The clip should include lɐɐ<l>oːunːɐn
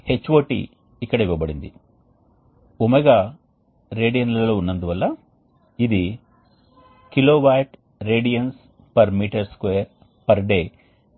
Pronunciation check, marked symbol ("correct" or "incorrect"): correct